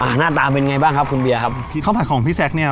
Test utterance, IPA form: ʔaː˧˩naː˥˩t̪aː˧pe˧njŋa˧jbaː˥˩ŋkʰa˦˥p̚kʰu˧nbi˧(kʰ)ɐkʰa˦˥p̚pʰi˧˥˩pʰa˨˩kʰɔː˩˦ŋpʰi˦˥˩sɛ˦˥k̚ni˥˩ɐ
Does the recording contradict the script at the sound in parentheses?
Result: yes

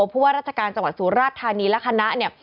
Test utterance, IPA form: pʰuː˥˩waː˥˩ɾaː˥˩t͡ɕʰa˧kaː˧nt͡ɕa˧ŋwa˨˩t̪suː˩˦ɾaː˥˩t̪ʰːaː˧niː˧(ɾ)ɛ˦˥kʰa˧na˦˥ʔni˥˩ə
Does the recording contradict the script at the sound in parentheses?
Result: yes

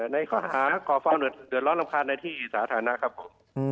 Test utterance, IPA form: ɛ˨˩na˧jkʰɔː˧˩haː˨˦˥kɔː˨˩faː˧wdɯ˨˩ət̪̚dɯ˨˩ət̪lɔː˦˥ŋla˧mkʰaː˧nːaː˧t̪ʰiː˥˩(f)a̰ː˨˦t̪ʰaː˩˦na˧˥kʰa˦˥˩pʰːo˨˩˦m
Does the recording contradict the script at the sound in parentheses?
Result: yes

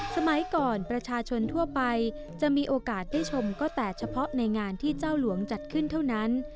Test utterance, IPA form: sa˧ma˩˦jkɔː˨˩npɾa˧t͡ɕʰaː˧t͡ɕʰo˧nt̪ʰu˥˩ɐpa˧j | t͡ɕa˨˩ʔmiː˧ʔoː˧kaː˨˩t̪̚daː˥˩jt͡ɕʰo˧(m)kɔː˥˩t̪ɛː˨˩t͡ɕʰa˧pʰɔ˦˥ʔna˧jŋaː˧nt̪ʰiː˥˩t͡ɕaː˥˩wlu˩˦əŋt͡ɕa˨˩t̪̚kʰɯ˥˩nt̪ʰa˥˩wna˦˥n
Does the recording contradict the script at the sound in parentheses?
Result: no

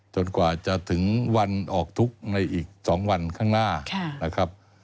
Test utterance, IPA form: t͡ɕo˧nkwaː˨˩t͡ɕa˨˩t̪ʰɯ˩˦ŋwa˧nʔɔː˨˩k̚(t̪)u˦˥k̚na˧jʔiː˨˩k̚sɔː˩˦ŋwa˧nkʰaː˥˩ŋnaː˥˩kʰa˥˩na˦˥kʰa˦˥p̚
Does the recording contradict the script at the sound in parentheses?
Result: yes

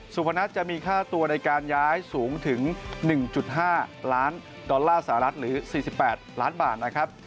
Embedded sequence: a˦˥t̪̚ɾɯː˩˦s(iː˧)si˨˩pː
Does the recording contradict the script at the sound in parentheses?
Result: yes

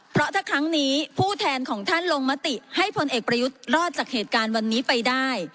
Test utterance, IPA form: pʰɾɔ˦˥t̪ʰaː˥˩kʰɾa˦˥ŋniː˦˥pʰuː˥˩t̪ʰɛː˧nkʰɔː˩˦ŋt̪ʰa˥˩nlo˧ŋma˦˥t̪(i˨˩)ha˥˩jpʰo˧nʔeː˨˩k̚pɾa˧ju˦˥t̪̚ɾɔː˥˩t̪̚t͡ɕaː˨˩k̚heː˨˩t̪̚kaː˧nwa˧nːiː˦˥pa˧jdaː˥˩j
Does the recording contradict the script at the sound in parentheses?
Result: no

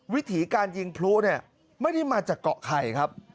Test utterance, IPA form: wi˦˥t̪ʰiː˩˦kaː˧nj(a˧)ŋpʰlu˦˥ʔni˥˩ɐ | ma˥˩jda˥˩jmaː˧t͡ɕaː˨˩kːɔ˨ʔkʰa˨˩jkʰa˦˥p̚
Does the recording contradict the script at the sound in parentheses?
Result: yes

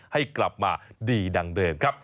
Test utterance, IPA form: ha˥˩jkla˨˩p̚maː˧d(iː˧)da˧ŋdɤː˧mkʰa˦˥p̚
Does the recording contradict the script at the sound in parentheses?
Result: no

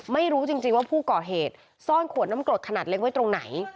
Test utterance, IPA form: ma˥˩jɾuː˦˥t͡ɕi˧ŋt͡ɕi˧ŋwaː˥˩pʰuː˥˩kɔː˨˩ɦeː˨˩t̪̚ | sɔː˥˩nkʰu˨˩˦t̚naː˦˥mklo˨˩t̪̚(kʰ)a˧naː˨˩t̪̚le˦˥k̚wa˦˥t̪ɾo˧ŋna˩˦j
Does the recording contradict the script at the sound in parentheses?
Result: no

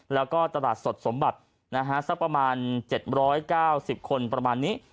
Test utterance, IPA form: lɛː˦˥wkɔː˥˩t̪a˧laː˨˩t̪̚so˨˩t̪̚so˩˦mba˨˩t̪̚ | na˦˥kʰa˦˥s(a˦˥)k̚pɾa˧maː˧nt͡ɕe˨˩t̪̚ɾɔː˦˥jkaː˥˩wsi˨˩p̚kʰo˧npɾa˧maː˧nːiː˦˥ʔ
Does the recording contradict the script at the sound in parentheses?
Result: no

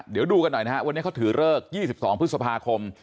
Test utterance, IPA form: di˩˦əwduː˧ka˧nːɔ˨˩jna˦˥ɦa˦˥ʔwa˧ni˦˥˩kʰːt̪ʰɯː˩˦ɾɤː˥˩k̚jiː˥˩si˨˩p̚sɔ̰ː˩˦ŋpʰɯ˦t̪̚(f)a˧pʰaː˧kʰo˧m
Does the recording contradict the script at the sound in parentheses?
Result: yes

